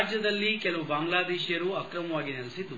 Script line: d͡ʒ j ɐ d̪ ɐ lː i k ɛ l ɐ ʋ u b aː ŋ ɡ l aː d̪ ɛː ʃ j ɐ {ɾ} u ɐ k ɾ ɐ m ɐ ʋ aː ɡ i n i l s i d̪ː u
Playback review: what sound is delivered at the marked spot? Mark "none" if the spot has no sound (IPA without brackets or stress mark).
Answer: ɾ